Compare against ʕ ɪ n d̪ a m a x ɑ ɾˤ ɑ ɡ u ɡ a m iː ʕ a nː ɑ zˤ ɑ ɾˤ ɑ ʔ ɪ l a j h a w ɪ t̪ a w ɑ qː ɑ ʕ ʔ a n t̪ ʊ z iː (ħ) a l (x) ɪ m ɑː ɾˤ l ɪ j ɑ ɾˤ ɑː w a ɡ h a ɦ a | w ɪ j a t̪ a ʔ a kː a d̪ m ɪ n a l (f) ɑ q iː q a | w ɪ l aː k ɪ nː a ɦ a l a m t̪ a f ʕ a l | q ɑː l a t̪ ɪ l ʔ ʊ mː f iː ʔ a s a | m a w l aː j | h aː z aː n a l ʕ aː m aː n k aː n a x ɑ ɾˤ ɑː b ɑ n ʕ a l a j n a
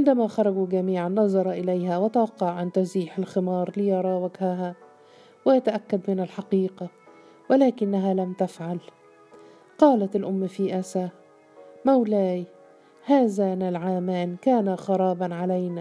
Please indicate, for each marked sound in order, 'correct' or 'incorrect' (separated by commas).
correct, correct, incorrect